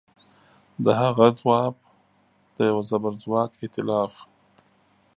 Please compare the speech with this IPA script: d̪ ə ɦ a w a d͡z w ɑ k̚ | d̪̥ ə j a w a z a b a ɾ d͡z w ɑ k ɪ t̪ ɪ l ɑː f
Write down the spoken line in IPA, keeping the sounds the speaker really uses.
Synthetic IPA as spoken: d̪ ə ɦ a ɣ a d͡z w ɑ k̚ | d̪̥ ə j a w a z a b a ɾ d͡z w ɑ k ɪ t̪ ɪ l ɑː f